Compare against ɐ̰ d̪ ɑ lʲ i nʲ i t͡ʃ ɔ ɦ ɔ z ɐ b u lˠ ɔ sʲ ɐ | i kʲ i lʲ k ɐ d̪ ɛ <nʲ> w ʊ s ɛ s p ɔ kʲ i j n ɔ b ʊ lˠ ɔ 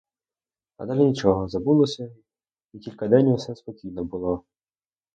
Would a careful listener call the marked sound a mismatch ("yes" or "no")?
no